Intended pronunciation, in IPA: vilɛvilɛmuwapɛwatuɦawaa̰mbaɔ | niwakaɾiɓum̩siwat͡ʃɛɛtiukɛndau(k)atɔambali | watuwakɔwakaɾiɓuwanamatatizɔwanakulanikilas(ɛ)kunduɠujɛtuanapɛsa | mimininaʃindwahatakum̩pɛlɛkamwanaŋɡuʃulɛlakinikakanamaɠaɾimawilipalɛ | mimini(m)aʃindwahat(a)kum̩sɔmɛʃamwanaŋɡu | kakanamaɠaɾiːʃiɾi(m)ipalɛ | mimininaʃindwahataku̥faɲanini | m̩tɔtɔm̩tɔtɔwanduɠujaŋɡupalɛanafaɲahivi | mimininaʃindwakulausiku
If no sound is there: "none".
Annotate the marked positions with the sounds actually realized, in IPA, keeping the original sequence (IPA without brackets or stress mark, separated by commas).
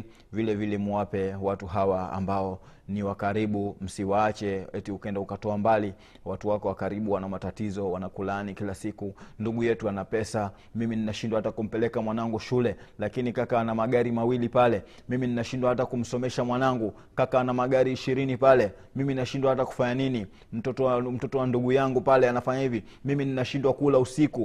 k, i, n, a, n